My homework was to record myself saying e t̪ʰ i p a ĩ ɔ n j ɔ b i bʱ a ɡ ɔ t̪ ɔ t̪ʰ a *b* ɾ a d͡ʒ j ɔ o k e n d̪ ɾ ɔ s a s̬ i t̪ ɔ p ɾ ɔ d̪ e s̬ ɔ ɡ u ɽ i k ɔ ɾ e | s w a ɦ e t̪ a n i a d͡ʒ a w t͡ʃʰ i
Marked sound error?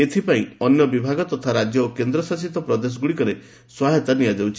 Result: yes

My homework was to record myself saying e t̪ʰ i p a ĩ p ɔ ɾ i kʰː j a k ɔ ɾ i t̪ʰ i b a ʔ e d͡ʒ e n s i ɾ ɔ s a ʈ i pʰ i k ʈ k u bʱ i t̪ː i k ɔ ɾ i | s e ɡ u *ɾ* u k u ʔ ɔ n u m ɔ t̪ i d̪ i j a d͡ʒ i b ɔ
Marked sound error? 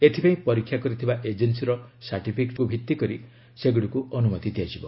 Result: yes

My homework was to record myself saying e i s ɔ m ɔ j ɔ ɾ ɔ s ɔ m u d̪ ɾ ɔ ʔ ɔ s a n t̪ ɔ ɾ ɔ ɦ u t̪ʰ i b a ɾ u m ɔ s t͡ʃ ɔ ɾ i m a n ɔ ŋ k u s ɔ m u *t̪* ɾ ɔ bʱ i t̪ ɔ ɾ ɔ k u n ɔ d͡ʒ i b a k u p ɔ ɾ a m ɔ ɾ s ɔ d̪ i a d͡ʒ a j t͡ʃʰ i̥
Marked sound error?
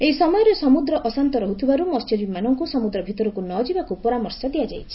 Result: yes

